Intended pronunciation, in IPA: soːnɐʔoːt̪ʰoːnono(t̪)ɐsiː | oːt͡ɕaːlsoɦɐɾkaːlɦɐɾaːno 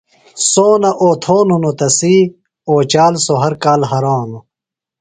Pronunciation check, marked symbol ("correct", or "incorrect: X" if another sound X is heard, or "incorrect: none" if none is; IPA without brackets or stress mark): correct